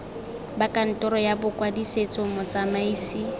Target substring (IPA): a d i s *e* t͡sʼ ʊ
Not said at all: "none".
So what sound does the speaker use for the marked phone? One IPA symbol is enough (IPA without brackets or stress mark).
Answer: e